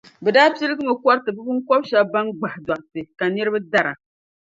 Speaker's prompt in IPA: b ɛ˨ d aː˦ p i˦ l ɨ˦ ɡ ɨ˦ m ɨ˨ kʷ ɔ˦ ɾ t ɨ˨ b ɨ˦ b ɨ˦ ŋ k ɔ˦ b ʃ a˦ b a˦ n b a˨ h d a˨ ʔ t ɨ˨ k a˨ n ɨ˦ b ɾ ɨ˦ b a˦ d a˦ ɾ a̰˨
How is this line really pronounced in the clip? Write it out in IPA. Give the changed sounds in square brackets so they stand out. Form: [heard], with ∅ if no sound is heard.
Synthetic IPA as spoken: b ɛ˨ d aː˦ p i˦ l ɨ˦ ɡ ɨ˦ m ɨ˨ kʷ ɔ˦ ɾ t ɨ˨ b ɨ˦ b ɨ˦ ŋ k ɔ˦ b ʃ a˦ b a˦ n [ɡ͡b] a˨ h d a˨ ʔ t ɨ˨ k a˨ n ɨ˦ [∅] ɾ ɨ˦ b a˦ d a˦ ɾ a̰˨